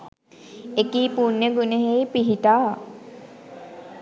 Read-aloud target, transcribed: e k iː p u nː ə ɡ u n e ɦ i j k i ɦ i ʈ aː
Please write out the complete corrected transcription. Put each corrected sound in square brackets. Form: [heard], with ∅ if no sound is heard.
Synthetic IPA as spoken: e k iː p u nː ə ɡ u n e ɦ [e] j [p] i ɦ i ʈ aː